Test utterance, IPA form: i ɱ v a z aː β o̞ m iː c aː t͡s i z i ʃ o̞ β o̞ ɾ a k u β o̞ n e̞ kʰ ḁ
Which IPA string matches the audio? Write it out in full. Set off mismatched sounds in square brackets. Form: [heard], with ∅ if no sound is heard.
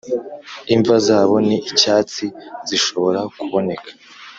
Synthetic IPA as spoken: i ɱ v a z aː β o̞ [n] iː c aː t͡s i z i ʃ o̞ β o̞ ɾ a k u β o̞ n e̞ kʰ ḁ